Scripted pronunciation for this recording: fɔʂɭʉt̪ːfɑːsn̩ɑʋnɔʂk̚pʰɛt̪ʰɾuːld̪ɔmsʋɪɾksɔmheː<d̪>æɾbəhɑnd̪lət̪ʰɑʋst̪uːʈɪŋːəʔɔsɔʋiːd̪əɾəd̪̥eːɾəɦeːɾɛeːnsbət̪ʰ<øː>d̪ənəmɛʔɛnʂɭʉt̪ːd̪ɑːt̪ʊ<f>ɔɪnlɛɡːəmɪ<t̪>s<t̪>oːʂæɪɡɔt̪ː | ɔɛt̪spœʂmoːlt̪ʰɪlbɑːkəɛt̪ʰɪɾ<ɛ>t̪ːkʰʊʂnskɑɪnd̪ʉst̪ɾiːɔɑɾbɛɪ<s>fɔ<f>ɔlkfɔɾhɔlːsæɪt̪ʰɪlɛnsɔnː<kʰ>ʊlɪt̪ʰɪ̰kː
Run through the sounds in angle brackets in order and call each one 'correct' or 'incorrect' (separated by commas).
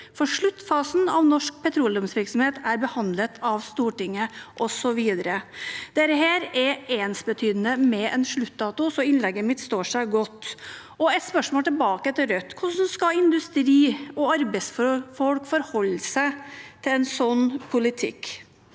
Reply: incorrect, incorrect, incorrect, correct, correct, incorrect, correct, correct, incorrect